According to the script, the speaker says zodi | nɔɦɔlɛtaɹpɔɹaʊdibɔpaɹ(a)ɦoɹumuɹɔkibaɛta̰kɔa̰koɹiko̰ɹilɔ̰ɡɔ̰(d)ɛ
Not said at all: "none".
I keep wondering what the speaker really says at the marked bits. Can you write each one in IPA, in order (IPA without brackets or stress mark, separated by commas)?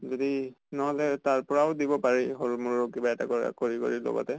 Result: i, t